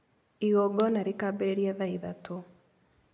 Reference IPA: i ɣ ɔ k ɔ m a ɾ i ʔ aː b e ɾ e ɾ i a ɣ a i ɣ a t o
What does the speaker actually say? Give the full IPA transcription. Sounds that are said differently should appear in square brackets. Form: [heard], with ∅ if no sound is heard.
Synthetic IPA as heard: i ɣ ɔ [ɡ] ɔ [n] a ɾ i [k] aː b e ɾ e ɾ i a [ð] a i [ð] a t o